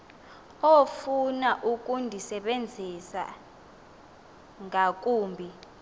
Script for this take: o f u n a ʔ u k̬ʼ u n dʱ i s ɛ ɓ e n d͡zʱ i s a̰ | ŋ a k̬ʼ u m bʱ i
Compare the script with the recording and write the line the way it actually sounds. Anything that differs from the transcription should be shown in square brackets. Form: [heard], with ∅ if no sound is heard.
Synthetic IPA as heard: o f u n a ʔ u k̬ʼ u n dʱ i s ɛ ɓ e n d͡zʱ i s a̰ | ŋ a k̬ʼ [uː] m bʱ i